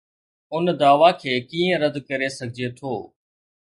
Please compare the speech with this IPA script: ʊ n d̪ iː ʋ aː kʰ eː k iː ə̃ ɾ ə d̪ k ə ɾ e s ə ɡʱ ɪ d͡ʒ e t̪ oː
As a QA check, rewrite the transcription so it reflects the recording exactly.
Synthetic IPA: ʊ n d̪ aː ʋ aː kʰ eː k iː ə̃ ɾ ə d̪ k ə ɾ e s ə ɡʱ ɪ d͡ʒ e t̪ʰ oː